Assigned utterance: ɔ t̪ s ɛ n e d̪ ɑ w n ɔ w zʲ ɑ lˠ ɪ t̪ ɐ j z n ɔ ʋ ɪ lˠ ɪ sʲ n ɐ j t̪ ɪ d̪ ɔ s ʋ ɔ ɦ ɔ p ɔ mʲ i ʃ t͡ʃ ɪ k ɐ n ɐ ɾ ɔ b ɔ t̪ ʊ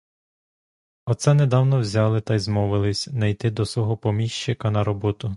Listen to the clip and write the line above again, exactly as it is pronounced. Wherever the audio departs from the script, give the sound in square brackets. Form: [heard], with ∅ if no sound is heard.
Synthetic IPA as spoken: ɔ t̪ s ɛ n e d̪ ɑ w n ɔ w zʲ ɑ lˠ ɪ t̪ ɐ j z [m] ɔ ʋ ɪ lˠ ɪ sʲ n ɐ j t̪ ɪ d̪ ɔ s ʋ ɔ ɦ ɔ p ɔ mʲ i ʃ t͡ʃ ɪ k ɐ n ɐ ɾ ɔ b ɔ t̪ ʊ